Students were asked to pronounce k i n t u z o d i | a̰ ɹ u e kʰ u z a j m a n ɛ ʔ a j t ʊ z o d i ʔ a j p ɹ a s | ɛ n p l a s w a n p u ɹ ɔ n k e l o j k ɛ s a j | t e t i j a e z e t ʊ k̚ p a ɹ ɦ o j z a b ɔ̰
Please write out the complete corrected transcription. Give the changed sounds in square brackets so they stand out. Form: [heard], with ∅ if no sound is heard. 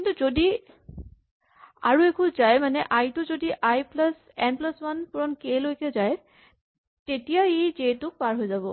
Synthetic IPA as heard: k i n t u z o d i | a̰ ɹ u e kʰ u z a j m a n ɛ ʔ a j t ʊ z o d i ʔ a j p [l] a s | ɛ n p l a s w a n p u ɹ ɔ n k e l o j k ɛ [z] a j | t e t i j a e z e t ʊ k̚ p a ɹ ɦ o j z a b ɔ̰